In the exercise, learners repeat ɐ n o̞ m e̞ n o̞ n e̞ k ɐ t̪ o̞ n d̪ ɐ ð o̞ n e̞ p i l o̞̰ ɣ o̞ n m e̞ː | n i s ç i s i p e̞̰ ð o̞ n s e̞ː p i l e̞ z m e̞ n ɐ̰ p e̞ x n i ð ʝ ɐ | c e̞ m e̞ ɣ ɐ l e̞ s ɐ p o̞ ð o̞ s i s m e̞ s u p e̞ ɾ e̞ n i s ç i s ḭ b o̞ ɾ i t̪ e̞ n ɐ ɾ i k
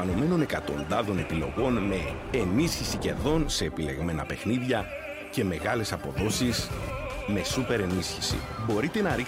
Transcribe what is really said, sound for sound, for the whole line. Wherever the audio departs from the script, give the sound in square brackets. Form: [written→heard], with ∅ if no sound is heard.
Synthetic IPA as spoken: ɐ n o̞ m e̞ n o̞ n e̞ k ɐ t̪ o̞ n d̪ ɐ ð o̞ n e̞ p i l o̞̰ ɣ o̞ n m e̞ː | n i s ç i s i [p→c] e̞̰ ð o̞ n s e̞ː p i l e̞ [z→ɣ] m e̞ n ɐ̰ p e̞ x n i ð ʝ ɐ | c e̞ m e̞ ɣ ɐ l e̞ s ɐ p o̞ ð o̞ s i s m e̞ s u p e̞ ɾ e̞ n i s ç i s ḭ b o̞ ɾ i t̪ e̞ n ɐ ɾ i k